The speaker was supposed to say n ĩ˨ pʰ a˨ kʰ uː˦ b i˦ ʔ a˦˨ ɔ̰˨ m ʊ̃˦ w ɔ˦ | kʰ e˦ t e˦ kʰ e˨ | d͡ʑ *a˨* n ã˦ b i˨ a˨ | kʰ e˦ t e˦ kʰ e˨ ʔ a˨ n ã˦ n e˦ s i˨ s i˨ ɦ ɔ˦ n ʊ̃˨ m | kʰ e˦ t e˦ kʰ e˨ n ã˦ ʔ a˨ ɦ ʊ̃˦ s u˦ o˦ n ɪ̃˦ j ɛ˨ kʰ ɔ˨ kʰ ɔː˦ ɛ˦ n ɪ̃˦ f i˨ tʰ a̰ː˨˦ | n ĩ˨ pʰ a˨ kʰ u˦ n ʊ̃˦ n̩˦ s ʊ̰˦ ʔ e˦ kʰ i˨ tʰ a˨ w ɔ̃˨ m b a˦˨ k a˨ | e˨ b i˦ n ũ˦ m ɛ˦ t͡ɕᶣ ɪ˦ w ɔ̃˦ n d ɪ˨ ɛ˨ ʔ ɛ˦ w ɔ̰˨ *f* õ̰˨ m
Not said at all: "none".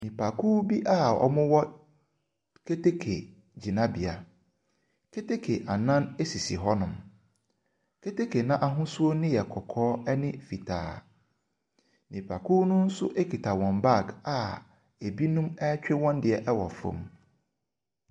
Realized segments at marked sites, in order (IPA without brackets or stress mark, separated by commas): i˨, f